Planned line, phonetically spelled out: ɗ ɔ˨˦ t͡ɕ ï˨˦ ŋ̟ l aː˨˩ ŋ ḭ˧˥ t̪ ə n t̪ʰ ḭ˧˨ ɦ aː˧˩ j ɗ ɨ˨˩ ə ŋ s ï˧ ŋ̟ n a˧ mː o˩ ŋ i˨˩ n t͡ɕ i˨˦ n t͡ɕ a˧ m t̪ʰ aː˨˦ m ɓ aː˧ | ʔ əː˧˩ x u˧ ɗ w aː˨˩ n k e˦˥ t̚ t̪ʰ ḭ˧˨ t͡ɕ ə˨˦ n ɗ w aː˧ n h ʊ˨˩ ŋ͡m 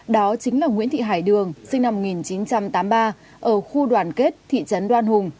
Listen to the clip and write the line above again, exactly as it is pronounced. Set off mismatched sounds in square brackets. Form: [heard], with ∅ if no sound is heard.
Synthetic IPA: ɗ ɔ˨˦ t͡ɕ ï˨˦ ŋ̟ l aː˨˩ ŋ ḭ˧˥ [∅] ə n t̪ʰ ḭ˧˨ ɦ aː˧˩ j ɗ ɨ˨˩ ə ŋ s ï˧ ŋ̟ n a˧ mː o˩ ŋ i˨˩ n t͡ɕ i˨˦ n t͡ɕ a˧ m [t̪] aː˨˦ m ɓ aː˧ | ʔ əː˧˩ x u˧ ɗ w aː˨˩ n k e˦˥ t̚ t̪ʰ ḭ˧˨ t͡ɕ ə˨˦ n ɗ w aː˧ n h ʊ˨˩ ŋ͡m